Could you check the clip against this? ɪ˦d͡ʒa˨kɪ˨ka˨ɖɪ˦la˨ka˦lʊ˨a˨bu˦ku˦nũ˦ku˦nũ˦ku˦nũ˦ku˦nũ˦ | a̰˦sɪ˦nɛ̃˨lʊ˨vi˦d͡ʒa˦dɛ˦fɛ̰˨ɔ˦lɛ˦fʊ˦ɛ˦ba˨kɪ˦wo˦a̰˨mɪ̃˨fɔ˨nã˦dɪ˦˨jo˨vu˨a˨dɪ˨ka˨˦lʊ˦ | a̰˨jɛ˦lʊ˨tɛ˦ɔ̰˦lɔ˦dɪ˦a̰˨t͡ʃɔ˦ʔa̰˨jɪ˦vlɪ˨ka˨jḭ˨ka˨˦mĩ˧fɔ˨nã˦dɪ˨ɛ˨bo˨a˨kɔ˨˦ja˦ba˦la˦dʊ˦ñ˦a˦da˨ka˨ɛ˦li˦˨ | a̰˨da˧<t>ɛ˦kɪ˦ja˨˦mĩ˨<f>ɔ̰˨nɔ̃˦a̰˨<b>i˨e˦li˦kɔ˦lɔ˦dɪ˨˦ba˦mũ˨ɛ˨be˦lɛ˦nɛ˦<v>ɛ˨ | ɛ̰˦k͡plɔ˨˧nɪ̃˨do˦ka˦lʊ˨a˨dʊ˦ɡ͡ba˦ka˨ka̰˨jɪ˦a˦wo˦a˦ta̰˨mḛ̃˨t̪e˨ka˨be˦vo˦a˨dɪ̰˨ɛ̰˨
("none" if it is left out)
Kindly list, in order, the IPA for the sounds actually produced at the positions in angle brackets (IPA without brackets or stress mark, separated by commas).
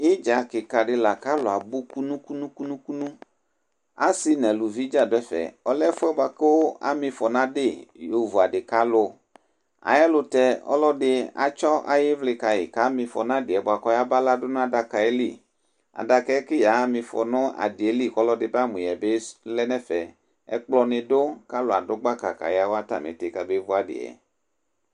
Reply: k, f, d, f